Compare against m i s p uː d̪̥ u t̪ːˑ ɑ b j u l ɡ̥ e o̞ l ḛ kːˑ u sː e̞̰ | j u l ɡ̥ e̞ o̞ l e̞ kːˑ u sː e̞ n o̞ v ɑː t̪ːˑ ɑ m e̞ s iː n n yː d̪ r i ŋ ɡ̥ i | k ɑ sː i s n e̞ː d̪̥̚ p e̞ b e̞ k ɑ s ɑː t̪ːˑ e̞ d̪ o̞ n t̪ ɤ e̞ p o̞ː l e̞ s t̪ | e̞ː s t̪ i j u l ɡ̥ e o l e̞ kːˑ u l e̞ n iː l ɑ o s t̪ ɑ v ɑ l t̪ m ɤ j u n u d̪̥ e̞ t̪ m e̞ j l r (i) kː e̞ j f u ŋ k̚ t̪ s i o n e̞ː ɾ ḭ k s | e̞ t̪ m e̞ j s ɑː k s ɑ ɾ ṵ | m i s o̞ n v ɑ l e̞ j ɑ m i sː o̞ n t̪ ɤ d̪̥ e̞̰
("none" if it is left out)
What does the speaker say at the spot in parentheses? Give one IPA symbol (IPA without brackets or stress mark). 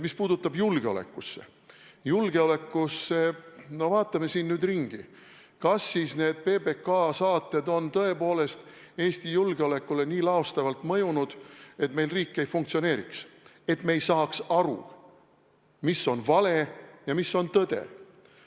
iː